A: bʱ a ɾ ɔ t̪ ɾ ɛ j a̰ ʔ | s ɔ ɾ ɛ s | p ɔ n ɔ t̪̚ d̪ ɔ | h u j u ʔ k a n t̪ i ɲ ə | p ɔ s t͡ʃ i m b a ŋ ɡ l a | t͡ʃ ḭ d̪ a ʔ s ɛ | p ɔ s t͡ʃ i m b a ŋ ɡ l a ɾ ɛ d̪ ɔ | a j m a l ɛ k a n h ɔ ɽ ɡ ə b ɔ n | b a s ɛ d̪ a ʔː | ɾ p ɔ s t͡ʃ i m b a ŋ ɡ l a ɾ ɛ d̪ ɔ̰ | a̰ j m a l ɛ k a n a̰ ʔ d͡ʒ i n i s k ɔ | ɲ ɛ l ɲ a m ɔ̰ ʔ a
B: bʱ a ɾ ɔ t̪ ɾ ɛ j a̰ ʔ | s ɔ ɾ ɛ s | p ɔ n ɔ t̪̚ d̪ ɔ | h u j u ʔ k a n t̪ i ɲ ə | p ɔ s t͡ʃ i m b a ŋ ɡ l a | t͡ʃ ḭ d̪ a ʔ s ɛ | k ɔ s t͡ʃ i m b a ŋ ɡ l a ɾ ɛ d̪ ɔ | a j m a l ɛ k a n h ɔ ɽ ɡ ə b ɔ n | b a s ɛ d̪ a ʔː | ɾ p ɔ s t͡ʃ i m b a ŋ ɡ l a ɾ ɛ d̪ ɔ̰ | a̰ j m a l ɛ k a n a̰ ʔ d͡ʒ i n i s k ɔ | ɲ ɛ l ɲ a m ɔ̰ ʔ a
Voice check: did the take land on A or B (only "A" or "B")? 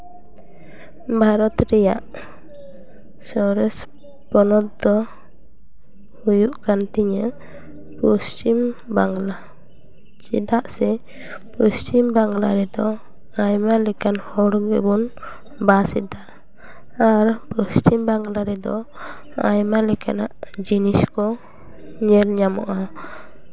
A